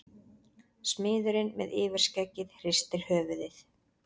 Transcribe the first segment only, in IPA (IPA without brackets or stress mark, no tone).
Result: s